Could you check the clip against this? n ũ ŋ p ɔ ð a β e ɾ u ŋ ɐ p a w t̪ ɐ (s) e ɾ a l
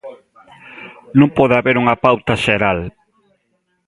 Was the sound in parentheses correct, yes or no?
no